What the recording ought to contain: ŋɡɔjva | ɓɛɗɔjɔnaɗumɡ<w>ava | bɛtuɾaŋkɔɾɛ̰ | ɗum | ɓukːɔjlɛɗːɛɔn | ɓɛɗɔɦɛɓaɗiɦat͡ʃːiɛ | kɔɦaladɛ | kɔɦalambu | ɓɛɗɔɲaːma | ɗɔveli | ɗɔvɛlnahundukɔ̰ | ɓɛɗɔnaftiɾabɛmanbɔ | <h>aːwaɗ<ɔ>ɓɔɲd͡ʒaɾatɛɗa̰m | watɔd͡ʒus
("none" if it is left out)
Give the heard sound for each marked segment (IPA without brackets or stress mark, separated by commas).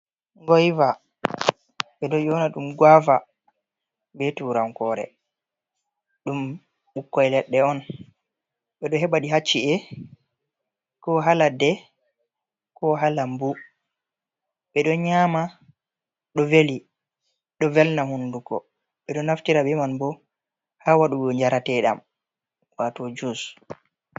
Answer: w, h, u